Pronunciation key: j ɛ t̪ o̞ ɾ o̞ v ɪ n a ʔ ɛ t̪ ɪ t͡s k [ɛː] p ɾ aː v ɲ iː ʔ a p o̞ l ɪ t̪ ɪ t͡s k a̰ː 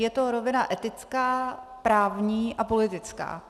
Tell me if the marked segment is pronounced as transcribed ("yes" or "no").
no